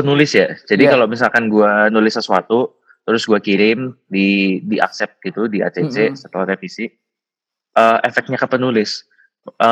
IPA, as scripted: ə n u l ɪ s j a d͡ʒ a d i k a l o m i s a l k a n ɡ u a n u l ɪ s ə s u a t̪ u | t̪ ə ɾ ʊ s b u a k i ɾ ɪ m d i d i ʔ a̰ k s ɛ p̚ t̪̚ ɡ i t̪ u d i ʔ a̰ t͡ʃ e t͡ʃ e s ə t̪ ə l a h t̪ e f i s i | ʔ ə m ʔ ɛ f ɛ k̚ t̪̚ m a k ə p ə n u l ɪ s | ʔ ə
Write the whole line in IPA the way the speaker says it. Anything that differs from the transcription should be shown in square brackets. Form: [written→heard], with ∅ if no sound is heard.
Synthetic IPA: ə n u l ɪ s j a d͡ʒ a d i k a l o m i s a l k a n ɡ u a n u l ɪ s ə s u a t̪ u | t̪ ə ɾ ʊ s [b→ɡ] u a k i ɾ ɪ m d i d i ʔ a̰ k s ɛ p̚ t̪̚ ɡ i t̪ u d i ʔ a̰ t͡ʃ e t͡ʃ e s ə t̪ ə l a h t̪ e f i s i | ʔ ə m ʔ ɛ f ɛ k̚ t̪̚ [m→ɲ] a k ə p ə n u l ɪ s | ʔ ə